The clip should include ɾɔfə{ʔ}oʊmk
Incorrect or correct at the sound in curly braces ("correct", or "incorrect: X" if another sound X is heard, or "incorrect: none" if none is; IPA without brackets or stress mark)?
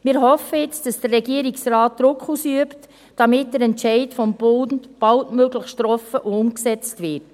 correct